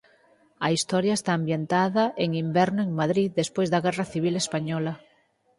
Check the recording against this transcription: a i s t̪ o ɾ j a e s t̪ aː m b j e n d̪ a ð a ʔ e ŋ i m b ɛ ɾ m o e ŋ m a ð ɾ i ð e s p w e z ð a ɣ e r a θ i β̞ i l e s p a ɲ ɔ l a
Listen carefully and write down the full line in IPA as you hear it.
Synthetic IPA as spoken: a i s t̪ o ɾ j a e s t̪ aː m b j e n t̪ a ð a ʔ e ŋ i m b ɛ ɾ n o e ŋ m a ð ɾ i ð e s p w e z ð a ɣ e r a θ i β̞ i l e s p a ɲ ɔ l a